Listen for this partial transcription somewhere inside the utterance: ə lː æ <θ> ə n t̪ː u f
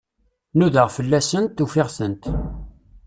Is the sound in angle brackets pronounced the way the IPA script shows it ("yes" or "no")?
no